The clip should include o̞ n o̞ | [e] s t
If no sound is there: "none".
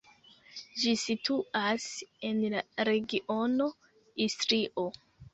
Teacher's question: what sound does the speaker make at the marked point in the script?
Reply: i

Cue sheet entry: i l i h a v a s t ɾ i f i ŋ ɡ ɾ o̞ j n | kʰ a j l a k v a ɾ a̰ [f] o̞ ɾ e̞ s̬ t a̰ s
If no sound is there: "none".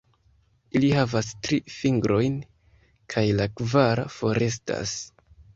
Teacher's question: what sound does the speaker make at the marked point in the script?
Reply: f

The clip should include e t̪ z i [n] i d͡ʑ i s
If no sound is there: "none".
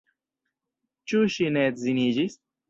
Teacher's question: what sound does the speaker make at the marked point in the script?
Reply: n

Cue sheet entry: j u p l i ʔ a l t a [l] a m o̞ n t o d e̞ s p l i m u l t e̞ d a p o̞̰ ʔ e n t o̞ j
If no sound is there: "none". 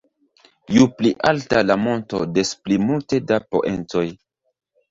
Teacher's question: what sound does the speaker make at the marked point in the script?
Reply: l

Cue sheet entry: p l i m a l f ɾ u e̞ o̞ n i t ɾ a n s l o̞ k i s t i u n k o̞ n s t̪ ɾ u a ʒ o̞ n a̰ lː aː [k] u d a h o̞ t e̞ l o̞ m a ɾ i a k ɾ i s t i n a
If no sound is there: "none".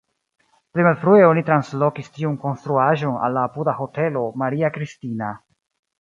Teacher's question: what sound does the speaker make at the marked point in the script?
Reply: p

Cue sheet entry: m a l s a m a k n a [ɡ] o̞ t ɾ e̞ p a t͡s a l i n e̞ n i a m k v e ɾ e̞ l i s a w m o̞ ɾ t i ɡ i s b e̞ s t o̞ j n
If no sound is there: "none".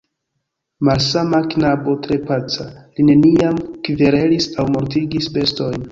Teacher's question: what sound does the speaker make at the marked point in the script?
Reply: b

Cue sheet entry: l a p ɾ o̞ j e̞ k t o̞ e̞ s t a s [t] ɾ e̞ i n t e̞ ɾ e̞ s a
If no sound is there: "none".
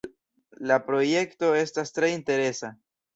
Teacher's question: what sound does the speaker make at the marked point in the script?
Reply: t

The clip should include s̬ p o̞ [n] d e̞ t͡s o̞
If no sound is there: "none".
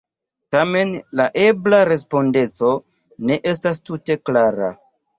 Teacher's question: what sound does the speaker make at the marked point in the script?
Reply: n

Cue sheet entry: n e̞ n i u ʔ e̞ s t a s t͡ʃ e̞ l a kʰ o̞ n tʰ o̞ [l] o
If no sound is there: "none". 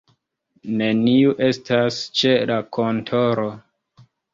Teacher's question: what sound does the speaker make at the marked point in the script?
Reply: ɾ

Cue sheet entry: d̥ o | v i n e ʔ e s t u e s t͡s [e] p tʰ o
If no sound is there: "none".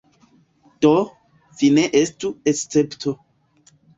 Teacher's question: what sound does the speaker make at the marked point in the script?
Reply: e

